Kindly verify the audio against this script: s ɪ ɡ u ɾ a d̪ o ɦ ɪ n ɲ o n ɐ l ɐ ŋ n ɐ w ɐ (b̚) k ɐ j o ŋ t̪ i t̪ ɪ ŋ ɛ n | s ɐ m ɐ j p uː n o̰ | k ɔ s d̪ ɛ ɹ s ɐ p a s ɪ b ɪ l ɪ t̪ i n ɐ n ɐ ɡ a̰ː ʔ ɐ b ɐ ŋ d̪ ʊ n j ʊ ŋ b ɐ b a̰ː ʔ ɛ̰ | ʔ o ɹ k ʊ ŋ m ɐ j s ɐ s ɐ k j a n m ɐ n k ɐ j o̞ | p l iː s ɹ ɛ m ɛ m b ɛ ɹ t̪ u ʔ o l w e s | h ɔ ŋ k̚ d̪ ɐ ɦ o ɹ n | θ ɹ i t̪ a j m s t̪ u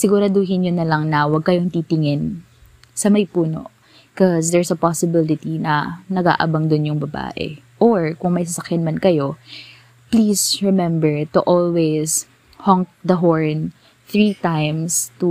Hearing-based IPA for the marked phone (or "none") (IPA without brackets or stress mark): ɡ̚